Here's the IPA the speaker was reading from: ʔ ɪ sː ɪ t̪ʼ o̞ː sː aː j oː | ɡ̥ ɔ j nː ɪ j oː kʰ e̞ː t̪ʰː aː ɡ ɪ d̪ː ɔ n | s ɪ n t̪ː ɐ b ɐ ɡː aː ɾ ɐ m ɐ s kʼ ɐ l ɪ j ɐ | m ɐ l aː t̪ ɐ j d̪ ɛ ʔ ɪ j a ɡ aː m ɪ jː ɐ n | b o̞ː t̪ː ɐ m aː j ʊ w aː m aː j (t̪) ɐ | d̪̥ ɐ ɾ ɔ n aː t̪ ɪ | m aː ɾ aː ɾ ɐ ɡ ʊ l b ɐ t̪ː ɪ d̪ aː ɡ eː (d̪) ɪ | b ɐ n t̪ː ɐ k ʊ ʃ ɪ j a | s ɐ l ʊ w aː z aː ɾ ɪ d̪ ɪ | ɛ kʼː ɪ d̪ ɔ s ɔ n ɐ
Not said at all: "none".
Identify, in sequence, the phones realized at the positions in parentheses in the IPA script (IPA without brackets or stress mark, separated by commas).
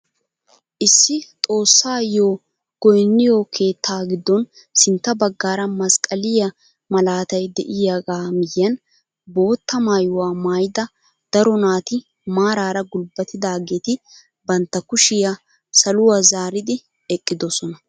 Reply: d̪, t̪